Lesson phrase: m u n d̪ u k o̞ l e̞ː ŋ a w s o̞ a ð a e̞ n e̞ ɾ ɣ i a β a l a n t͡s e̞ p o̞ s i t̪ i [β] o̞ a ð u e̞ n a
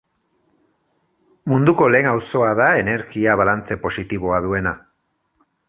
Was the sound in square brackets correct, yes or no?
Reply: yes